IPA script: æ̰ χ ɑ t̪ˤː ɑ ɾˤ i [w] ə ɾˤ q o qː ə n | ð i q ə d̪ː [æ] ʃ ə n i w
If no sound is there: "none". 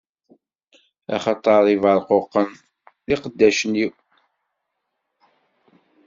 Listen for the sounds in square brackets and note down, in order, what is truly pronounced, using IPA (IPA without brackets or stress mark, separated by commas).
v, æ